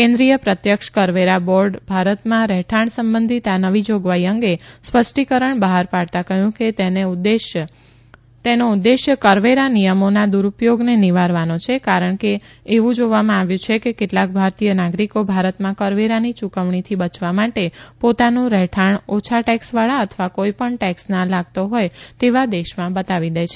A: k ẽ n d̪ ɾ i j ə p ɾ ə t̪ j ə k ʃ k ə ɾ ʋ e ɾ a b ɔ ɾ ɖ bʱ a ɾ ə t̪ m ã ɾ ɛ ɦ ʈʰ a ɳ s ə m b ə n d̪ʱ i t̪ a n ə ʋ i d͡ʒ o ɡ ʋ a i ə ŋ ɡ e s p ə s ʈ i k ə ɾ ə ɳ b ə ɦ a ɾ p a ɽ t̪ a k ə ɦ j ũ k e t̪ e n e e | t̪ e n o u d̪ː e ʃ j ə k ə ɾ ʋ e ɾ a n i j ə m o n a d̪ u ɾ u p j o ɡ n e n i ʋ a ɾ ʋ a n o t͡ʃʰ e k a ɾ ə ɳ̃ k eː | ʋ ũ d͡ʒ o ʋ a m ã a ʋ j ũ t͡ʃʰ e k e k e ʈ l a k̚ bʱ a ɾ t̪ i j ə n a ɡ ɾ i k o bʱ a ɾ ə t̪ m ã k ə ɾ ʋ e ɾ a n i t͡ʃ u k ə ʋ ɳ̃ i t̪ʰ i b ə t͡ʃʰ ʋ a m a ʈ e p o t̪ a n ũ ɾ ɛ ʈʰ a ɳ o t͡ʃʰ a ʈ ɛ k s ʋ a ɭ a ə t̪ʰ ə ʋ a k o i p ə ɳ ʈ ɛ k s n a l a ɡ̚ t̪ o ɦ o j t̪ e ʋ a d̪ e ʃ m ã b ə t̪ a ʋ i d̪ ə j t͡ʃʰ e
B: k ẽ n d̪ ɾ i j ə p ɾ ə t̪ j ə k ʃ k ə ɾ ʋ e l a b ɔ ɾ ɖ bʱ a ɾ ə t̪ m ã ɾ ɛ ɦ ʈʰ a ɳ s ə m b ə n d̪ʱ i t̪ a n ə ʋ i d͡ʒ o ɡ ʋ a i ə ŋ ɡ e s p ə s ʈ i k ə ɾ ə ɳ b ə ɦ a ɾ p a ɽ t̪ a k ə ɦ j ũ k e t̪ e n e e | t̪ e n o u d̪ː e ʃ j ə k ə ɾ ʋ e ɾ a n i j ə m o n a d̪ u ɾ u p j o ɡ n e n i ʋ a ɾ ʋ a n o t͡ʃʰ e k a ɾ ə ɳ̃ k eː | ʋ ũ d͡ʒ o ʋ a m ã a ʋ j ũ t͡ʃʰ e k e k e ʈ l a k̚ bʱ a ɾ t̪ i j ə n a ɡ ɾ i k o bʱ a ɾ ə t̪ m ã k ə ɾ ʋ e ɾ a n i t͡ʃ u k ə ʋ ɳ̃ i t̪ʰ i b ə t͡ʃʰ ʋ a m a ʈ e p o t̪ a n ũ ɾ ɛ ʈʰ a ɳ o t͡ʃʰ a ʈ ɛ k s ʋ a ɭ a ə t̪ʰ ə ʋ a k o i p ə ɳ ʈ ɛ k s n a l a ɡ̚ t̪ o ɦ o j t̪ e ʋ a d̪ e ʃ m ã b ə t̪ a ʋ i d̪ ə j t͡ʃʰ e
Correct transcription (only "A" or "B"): A